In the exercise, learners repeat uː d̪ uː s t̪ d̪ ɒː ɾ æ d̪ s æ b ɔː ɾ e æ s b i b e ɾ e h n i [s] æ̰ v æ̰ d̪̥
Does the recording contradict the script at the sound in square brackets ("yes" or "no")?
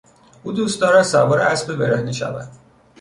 yes